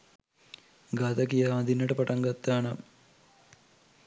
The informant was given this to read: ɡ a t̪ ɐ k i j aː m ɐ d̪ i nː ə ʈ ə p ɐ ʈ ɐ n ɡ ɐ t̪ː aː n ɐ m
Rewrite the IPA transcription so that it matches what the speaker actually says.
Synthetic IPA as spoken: ɡ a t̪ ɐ k i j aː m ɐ d̪ i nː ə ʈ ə p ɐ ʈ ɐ ŋ ɡ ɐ t̪ː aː n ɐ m